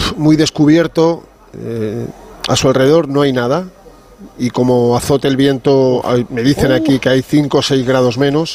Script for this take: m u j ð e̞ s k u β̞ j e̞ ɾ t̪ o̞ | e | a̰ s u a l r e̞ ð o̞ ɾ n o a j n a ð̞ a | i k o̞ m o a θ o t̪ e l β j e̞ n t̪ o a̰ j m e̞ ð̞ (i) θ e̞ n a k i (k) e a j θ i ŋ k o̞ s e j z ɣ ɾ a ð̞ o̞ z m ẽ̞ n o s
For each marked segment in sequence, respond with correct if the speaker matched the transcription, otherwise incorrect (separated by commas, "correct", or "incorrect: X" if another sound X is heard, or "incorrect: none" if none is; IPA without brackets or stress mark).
correct, correct